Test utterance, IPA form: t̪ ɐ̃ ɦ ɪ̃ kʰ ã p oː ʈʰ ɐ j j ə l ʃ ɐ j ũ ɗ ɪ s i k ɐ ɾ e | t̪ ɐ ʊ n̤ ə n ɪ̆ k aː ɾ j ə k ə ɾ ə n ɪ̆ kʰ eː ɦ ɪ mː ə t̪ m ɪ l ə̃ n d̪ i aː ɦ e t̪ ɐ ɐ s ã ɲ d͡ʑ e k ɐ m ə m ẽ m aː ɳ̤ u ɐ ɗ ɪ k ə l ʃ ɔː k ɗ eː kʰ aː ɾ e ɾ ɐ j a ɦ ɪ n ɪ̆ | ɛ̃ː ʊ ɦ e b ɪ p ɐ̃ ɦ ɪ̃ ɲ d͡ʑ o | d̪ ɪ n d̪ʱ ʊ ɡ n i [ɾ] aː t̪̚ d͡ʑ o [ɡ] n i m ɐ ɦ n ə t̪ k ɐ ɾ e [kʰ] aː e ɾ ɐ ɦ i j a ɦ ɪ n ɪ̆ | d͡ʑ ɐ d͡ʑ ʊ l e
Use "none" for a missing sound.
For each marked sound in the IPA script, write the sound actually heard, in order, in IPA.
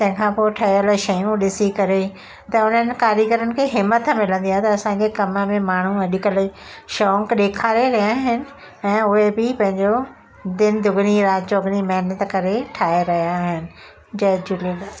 ɾ, ɡ, ʈʰ

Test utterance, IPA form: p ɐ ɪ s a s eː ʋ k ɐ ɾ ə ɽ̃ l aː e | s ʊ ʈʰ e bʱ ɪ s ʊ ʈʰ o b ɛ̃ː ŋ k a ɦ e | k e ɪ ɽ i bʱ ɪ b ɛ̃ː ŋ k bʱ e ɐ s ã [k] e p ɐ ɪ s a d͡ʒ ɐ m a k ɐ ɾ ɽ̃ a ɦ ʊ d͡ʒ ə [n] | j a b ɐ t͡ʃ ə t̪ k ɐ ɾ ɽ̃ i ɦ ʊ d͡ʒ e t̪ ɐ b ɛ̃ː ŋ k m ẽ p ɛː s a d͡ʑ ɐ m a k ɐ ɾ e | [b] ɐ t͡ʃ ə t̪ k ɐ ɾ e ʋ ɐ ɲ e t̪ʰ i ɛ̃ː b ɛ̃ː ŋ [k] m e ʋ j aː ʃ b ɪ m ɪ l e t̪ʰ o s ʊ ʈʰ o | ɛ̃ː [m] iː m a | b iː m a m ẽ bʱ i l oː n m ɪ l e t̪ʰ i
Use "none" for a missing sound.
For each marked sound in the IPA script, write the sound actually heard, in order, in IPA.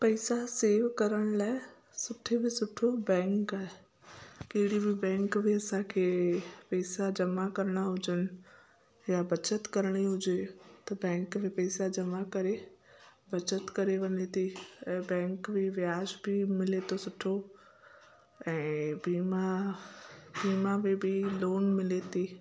kʰ, n, b, k, b

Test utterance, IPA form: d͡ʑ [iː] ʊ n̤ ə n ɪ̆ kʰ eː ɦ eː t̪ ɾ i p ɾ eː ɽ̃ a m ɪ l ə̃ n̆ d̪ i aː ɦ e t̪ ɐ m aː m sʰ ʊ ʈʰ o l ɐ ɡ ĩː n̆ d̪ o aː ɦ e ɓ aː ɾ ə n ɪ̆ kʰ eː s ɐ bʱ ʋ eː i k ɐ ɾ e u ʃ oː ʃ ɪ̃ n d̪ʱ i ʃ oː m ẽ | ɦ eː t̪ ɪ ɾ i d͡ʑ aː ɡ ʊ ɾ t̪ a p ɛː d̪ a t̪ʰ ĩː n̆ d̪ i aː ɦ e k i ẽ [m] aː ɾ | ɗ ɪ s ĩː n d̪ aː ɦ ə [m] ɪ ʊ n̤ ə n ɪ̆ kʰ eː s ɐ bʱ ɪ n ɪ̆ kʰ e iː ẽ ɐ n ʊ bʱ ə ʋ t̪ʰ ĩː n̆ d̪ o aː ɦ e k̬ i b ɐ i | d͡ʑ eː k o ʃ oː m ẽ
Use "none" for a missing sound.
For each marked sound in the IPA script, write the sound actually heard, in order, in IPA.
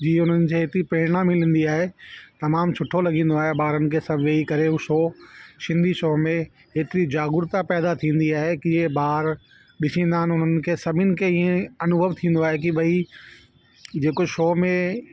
iː, b, n

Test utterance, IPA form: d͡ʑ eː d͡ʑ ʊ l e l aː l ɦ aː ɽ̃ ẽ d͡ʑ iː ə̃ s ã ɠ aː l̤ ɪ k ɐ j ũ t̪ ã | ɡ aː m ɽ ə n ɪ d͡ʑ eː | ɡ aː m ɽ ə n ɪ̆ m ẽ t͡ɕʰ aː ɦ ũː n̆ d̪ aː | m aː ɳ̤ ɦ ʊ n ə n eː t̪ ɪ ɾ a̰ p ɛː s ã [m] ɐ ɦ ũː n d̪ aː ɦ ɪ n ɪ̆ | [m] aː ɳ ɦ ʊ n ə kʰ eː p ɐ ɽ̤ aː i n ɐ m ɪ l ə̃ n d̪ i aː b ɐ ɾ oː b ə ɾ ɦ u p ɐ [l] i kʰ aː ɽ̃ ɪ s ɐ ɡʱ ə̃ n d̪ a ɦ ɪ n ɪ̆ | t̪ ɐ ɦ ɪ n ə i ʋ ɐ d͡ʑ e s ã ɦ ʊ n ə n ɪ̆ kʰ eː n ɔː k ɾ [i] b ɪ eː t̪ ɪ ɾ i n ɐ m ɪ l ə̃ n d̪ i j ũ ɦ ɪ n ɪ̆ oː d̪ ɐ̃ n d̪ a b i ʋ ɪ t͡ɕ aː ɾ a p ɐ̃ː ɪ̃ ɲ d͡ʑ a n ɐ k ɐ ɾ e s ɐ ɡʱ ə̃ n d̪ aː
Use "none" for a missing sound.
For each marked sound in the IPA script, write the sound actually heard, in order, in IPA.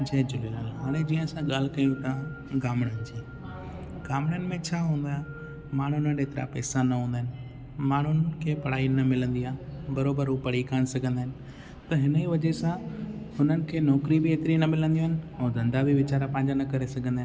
n, m, ɽ, i

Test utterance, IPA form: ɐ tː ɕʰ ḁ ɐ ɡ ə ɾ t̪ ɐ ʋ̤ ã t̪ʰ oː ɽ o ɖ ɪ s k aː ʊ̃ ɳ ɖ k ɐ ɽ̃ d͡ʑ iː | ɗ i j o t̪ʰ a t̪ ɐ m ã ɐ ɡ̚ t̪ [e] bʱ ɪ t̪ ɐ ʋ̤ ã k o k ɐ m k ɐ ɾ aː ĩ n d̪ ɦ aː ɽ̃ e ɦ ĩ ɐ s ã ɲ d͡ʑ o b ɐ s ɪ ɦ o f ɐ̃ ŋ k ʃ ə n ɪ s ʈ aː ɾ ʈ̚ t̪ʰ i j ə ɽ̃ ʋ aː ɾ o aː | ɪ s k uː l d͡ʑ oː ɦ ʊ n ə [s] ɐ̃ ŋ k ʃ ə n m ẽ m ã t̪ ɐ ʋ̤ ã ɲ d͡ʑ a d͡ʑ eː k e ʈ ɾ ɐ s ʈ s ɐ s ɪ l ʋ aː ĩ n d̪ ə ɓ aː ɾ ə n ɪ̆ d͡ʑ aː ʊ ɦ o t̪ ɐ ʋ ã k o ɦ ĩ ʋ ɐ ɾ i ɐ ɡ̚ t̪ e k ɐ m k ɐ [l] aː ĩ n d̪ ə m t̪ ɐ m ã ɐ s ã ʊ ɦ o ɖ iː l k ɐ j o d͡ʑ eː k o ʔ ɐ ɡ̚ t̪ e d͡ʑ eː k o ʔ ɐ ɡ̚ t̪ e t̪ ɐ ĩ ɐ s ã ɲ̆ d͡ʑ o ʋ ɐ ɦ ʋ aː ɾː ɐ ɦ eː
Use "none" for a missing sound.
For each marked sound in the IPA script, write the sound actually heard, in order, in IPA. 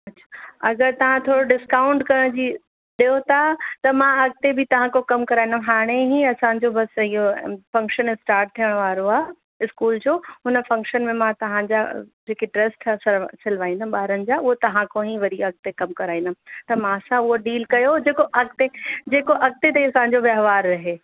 e, f, ɾ

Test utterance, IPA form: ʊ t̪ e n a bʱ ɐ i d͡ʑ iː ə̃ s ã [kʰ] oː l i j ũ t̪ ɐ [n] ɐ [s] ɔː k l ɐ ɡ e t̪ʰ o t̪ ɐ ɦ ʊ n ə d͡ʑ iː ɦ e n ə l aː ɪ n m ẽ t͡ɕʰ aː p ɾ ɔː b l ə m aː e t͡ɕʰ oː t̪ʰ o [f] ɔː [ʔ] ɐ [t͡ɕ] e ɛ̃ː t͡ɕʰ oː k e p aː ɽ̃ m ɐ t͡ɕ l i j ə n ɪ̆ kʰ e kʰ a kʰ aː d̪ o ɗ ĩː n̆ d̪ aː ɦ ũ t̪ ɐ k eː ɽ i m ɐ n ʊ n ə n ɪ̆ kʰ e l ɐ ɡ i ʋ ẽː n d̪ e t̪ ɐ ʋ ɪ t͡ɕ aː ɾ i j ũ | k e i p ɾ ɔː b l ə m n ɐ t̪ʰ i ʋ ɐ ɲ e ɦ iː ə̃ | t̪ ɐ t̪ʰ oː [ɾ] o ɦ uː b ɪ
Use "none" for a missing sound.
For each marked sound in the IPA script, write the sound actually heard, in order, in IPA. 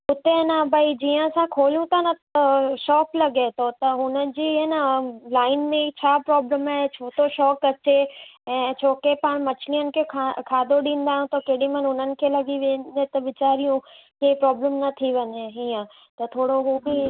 kʰ, n, ʃ, ʃ, k, t͡ɕ, ɽ

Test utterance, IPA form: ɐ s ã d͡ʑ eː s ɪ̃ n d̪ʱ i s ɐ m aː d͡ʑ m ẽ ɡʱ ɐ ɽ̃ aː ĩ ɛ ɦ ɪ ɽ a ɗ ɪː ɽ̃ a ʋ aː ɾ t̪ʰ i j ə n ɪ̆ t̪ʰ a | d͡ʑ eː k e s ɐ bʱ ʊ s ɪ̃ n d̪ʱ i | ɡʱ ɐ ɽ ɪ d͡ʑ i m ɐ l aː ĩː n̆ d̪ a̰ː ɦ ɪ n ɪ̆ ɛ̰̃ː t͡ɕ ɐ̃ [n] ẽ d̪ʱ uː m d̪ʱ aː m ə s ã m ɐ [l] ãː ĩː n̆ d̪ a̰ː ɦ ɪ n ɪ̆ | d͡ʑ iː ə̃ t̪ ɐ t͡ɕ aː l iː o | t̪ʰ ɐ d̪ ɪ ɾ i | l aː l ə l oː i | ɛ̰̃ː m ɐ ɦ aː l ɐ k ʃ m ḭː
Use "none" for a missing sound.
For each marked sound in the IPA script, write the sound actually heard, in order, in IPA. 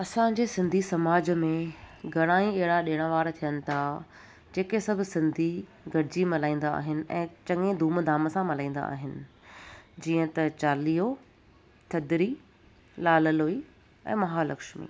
ŋ, l

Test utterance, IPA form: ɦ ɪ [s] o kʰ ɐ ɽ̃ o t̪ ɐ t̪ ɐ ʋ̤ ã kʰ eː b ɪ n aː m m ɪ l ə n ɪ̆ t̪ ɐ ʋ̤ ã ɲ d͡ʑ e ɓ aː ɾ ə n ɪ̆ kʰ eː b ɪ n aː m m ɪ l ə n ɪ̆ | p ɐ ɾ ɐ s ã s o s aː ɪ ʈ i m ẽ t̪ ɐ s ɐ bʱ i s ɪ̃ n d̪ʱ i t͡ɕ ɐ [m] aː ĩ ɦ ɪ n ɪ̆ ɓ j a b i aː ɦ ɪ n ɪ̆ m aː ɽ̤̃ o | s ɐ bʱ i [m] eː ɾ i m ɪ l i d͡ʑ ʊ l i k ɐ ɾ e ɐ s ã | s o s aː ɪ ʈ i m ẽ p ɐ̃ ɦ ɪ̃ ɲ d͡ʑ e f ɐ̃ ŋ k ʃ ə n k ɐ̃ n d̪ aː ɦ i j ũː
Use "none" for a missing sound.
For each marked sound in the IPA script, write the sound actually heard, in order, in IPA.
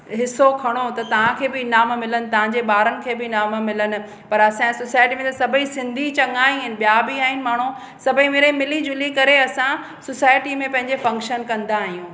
s, ŋ, m

